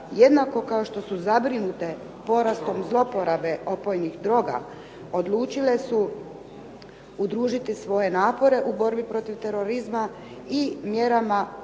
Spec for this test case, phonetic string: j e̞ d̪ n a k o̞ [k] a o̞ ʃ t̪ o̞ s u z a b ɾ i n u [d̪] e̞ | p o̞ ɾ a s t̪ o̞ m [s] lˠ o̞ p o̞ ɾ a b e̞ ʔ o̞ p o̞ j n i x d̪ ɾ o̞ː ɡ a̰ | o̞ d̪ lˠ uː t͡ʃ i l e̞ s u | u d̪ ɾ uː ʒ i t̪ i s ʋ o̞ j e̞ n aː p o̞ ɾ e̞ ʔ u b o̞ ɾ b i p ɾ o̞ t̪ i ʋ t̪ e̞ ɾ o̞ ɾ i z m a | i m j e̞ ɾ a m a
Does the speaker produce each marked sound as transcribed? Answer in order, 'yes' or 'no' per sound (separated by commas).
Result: yes, no, no